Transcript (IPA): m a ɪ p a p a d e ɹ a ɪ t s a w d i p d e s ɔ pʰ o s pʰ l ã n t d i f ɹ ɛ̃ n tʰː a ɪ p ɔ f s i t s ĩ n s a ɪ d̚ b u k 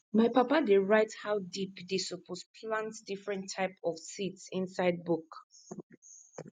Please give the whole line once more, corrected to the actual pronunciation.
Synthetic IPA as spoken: m a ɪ p a p a d e ɹ a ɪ t h a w d i p d e s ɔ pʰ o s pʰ l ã n t d i f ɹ ɛ̃ n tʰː a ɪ p ɔ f s i t s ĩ n s a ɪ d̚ b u k